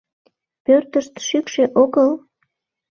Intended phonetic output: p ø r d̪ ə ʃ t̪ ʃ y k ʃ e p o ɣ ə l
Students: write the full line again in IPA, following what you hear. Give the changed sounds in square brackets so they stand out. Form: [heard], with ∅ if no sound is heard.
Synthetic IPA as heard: p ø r [t̪] ə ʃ t̪ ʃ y k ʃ e [ʔ] o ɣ ə l